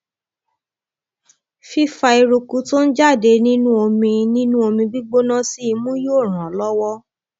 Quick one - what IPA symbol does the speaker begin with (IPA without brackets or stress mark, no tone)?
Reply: f